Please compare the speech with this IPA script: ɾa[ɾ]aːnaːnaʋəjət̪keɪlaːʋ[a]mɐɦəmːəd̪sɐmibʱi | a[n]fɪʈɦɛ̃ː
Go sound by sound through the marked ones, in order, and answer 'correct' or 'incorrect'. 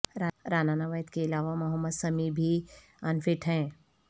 correct, correct, correct

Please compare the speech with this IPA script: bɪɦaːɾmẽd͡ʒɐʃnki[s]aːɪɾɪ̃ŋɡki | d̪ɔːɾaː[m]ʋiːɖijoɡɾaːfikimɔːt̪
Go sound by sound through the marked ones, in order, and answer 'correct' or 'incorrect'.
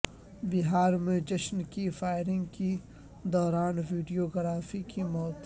incorrect: f, incorrect: n

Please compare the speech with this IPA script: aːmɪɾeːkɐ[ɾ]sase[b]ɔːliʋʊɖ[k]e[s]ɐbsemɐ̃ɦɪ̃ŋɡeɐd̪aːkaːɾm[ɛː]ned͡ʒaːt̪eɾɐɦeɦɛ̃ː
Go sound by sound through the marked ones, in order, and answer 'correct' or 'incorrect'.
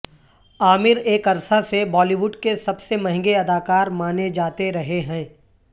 correct, correct, correct, correct, incorrect: aː

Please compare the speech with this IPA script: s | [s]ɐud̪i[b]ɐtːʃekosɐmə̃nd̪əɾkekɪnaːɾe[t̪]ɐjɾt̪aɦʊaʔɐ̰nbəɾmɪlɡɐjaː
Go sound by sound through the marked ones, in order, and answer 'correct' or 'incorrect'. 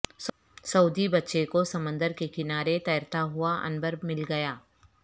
correct, correct, correct

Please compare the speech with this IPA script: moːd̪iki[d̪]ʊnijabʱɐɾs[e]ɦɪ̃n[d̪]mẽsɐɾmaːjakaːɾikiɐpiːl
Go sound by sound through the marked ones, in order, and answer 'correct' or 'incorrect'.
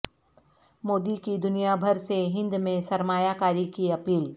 correct, correct, correct

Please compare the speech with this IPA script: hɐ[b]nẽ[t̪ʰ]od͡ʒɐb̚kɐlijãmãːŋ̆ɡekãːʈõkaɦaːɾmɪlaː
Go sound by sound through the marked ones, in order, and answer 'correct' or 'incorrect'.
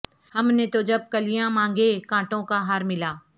incorrect: m, incorrect: t̪

